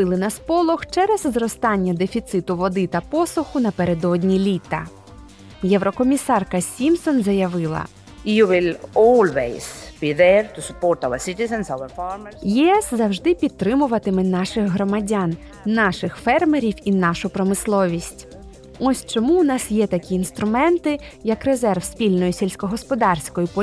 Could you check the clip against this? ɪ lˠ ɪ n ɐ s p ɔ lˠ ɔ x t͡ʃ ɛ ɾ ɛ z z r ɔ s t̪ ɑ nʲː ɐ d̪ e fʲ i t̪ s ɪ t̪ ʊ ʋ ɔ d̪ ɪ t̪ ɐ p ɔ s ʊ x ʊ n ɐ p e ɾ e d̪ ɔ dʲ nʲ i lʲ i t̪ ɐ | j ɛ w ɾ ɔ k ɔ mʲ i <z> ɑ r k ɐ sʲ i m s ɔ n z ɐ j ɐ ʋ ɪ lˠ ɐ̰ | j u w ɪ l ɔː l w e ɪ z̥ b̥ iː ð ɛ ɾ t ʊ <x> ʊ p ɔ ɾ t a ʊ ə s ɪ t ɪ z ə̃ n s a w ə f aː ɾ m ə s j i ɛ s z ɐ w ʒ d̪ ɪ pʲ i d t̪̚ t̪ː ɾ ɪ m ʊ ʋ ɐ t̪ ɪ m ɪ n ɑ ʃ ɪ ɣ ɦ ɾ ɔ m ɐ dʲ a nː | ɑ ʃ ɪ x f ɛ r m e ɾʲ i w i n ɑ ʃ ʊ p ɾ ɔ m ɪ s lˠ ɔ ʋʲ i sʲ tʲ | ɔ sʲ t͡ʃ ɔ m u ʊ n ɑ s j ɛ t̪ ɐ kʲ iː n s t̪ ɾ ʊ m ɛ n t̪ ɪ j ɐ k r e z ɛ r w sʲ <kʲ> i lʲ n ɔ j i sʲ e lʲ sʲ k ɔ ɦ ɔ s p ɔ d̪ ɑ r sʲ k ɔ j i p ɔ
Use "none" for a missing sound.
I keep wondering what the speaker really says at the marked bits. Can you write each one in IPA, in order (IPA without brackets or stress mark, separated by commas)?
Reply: s, s, pʲ